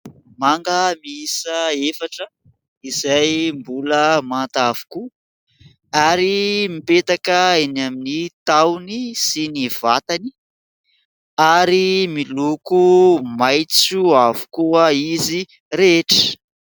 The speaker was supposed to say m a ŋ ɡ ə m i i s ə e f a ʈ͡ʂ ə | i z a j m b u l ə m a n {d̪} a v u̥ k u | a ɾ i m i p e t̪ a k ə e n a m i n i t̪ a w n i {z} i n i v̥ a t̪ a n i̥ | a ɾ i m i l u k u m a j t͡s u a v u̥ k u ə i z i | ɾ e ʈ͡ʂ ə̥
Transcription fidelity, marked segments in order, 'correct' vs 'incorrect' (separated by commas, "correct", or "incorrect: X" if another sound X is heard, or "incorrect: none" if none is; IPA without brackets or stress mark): incorrect: t̪, incorrect: s